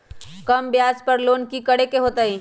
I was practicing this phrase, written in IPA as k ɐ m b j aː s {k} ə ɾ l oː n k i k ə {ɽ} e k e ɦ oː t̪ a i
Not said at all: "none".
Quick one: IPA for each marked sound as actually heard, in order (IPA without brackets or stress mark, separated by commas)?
p, ɽ